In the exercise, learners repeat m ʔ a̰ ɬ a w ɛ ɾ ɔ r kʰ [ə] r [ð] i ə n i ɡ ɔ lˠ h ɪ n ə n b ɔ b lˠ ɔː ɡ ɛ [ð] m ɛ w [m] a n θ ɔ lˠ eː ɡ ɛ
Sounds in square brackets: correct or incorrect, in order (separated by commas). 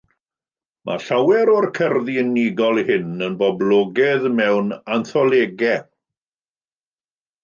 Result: correct, correct, correct, incorrect